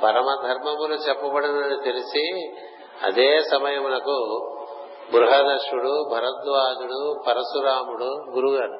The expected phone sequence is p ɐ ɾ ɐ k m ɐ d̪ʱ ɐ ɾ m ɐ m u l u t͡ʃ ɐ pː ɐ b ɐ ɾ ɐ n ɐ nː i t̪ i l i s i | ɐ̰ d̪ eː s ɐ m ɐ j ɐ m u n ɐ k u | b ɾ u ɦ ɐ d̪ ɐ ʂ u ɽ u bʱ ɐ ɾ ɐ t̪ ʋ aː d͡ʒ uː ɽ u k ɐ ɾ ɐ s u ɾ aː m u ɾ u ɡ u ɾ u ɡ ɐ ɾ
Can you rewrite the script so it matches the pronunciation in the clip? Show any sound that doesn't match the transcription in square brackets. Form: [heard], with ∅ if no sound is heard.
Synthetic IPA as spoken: p ɐ ɾ ɐ [∅] m ɐ d̪ʱ ɐ ɾ m ɐ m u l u t͡ʃ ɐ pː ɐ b ɐ [ɽ] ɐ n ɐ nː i t̪ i l i s i | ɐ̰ d̪ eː s ɐ m ɐ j ɐ m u n ɐ k u | b ɾ u ɦ ɐ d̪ ɐ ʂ u ɽ u bʱ ɐ ɾ ɐ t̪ ʋ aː d͡ʒ [u] ɽ u [p] ɐ ɾ ɐ s u ɾ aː m u [ɽ] u ɡ u ɾ u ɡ ɐ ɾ